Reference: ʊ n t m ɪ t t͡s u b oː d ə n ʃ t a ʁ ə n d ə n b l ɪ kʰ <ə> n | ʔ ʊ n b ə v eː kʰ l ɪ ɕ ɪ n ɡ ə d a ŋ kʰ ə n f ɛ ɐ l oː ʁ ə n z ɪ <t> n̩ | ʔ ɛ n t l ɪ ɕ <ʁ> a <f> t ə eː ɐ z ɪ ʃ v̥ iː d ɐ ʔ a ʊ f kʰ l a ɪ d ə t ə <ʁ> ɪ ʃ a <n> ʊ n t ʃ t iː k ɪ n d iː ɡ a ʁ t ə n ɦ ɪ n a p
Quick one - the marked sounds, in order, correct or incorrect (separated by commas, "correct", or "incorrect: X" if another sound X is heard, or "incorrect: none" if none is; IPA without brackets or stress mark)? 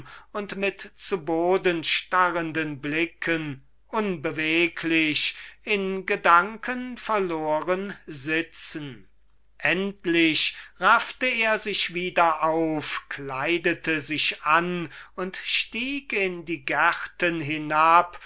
correct, incorrect: t͡s, correct, correct, incorrect: z, correct